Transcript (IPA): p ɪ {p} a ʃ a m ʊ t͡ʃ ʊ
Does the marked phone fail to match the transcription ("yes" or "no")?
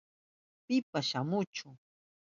no